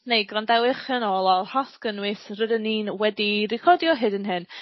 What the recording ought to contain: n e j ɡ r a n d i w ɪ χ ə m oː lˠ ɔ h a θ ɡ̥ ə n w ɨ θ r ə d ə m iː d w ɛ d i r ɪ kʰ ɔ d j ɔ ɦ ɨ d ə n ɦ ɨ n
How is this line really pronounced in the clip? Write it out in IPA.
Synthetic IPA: n e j ɡ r a n d ɛ w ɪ χ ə n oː lˠ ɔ h a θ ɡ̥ ə n w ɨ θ r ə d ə n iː n w ɛ d i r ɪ kʰ ɔ d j ɔ ɦ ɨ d ə n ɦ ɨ n